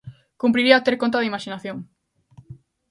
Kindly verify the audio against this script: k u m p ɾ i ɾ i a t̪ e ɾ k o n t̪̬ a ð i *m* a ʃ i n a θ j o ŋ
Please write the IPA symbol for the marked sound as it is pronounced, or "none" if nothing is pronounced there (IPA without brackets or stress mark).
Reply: m